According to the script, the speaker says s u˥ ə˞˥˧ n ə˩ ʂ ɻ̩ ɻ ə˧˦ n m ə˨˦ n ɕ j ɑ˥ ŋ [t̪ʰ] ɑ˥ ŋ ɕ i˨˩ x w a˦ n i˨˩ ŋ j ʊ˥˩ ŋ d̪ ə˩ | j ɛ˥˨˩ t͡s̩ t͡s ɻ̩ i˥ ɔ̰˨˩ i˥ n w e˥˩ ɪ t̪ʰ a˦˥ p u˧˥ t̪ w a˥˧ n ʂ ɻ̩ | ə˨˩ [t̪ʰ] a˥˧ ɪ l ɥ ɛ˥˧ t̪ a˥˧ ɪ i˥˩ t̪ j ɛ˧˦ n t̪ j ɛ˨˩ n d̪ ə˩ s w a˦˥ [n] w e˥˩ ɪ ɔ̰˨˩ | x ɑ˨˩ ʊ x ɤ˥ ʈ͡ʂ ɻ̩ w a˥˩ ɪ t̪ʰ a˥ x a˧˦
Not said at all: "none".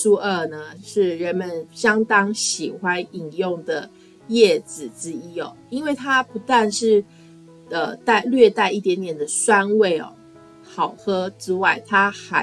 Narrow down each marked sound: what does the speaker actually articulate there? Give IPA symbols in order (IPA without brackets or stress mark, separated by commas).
t̪, t̪, n